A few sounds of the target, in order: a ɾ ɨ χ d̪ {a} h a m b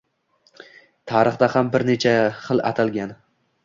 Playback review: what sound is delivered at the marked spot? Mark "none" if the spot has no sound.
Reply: a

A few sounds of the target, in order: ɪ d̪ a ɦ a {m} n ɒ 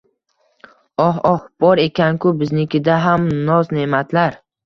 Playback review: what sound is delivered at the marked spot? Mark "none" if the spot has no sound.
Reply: m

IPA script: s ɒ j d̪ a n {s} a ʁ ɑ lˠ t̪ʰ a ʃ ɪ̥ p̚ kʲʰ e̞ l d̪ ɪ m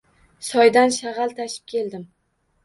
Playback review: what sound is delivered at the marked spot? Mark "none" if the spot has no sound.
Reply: ʃ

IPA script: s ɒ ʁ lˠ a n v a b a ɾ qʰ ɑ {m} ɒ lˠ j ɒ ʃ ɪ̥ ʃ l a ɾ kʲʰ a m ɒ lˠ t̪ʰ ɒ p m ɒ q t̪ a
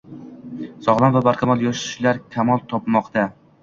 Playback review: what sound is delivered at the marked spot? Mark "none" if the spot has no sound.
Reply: m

